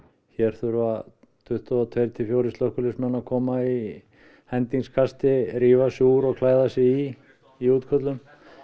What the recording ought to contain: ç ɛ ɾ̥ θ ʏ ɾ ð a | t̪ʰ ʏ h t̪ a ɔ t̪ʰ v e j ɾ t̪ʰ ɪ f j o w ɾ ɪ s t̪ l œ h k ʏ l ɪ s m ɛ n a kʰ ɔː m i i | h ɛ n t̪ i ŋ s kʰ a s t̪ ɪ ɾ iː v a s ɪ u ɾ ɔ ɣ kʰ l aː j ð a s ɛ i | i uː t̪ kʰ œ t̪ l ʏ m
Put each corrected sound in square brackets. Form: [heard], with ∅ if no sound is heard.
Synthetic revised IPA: ç ɛ ɾ̥ θ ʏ ɾ [v] a | t̪ʰ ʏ h t̪ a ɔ t̪ʰ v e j ɾ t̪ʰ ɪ f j o w ɾ ɪ s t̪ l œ h k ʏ l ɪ s m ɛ n a kʰ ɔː m [a] i | h ɛ n t̪ i ŋ s kʰ a s t̪ ɪ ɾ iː v a s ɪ u ɾ ɔ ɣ kʰ l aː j ð a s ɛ i | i uː t̪ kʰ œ t̪ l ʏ m